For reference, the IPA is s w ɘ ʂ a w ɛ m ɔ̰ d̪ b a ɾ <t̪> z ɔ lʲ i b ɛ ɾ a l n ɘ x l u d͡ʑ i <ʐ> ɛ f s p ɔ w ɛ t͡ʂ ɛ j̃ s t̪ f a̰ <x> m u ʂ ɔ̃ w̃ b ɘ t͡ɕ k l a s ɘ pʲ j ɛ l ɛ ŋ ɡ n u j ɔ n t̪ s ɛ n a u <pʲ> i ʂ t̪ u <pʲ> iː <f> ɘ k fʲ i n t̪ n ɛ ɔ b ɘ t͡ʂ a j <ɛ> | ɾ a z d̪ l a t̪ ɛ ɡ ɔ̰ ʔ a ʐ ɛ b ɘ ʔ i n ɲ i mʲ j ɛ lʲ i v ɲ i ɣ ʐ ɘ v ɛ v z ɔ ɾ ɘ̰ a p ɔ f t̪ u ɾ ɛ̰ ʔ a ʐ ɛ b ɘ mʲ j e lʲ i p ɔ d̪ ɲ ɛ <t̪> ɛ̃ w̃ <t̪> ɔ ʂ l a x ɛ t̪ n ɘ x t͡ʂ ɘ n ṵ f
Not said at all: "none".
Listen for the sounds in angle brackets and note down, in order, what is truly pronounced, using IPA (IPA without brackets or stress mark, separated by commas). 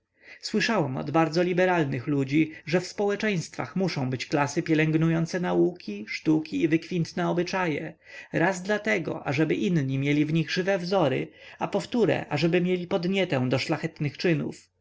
d̪, ʐ, x, kʲ, kʲ, v, ɛ, t̪, d̪